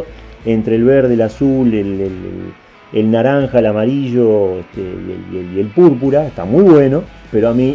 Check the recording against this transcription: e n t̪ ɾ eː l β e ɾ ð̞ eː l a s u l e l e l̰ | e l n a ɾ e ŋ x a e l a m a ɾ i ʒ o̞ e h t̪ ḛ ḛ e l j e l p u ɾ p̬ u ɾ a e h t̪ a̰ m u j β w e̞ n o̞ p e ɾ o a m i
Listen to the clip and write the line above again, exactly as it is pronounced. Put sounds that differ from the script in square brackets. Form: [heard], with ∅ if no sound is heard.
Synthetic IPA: e n t̪ ɾ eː l β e ɾ ð̞ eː l a s u l e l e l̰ | e l n a ɾ [a] ŋ x a e l a m a ɾ i ʒ o̞ e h t̪ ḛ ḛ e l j e l p u ɾ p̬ u ɾ a e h t̪ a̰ m u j β w e̞ n o̞ p e ɾ o a m i